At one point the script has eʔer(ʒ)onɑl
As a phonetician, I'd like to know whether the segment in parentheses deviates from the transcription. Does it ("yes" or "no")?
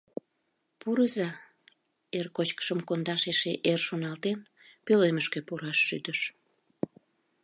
yes